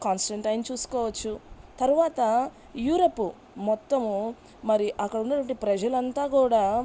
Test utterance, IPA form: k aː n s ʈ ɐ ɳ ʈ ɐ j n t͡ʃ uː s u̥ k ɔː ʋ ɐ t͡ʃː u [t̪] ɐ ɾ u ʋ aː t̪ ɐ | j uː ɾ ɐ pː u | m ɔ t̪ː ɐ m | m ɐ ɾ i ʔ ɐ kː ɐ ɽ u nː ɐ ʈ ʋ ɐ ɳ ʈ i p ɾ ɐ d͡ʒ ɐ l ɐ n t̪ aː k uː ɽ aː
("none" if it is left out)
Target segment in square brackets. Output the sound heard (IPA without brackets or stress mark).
t̪